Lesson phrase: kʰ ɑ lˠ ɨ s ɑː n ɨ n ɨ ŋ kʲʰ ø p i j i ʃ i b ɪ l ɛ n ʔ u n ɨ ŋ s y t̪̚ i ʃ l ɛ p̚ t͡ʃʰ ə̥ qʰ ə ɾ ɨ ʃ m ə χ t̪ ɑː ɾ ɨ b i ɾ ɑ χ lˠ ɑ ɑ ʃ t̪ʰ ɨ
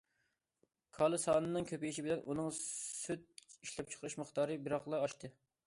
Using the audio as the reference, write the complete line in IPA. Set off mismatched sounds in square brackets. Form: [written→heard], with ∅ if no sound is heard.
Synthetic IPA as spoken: kʰ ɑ lˠ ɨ s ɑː n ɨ n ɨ ŋ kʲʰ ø p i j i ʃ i b ɪ l ɛ n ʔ u n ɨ ŋ s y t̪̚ i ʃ l ɛ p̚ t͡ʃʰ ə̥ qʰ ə ɾ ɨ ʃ m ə χ t̪ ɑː ɾ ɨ b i ɾ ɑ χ lˠ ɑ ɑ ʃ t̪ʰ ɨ

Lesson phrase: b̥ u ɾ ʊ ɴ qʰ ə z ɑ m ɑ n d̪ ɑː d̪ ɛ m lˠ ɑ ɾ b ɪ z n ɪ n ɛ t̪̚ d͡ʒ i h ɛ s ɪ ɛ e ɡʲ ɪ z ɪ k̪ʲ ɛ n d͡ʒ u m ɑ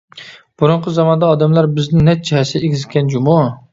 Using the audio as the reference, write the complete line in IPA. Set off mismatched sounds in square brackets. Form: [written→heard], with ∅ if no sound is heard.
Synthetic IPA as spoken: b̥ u ɾ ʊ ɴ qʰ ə z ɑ m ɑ n d̪ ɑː d̪ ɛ m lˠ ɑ ɾ b ɪ z n ɪ n ɛ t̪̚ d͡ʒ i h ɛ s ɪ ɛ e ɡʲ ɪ z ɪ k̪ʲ ɛ n d͡ʒ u m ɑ

